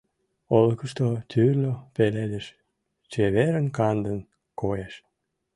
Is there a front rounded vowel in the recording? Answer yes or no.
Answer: yes